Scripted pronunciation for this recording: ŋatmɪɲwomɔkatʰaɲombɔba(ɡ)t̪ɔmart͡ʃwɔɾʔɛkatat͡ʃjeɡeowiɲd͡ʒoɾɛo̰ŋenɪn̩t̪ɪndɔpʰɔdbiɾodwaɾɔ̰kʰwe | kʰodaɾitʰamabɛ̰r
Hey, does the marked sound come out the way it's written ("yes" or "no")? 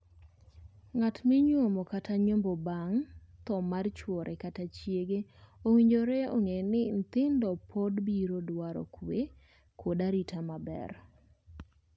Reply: no